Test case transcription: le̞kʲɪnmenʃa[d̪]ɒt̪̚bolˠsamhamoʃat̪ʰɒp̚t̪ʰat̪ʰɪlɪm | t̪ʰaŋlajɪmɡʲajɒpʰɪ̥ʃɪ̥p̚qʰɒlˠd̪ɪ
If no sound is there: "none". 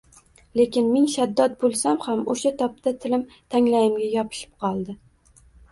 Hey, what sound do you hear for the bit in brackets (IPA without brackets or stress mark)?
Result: d̪ː